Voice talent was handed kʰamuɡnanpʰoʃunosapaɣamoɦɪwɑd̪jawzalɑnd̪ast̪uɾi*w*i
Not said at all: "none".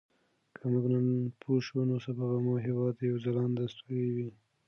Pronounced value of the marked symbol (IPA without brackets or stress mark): w